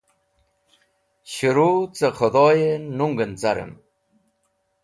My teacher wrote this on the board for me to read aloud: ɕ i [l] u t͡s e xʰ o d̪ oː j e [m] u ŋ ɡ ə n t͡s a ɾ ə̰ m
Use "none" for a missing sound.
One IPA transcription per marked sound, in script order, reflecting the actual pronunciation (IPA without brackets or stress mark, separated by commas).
ɾ, n